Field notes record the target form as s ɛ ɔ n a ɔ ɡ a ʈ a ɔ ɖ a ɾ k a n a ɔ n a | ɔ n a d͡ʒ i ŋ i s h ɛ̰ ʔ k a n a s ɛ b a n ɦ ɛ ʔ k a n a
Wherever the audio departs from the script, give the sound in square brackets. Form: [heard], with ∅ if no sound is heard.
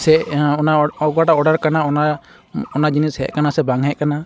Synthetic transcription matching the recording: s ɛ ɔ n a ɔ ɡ a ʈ a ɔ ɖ a ɾ k a n a ɔ n a | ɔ n a d͡ʒ i [n] i s h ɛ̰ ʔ k a n a s ɛ b a [ŋ] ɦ ɛ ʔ k a n a